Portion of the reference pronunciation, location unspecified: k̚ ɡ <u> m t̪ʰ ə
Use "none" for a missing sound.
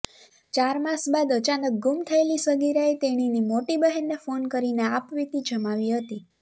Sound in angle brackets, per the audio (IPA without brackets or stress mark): u